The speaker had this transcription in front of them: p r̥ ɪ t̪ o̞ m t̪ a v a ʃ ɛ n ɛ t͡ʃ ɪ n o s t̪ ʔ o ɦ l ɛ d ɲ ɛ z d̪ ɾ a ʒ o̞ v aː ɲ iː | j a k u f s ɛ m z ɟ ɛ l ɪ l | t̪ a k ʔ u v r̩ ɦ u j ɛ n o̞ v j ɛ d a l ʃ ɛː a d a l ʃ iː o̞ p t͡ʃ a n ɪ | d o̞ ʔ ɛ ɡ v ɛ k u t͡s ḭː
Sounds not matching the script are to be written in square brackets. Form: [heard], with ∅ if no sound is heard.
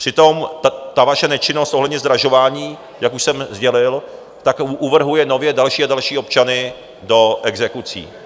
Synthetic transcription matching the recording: p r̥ ɪ t̪ o̞ m t̪ a v a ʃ ɛ n ɛ t͡ʃ ɪ n o s t̪ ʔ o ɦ l ɛ d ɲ ɛ z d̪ ɾ a ʒ o̞ v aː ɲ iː | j a k u [ʃ] s ɛ m z ɟ ɛ l ɪ l | t̪ a k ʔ u v r̩ ɦ u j ɛ n o̞ v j ɛ d a l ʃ [iː] a d a l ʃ iː o̞ p t͡ʃ a n ɪ | d o̞ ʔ ɛ ɡ [z] ɛ k u t͡s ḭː